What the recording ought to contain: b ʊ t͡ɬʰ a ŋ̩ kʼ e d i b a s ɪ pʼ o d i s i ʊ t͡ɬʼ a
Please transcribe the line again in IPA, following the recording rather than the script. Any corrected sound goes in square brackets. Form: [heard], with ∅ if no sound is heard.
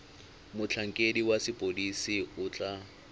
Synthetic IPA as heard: [m] ʊ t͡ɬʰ a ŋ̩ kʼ e d i [w] a s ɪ pʼ o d i s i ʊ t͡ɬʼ a